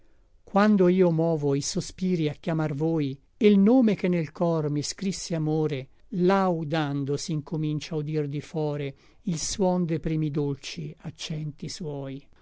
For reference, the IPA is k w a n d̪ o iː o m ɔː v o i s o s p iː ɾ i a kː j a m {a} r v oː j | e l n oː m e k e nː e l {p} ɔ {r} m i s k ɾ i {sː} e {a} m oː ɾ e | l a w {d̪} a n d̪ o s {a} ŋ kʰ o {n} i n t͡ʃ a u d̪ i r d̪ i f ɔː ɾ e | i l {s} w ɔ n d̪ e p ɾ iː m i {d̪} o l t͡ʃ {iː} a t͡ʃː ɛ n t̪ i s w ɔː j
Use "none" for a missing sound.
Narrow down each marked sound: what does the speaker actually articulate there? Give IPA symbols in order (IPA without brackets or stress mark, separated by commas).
a, k, r, sː, a, d̪, i, m, s, d̪, i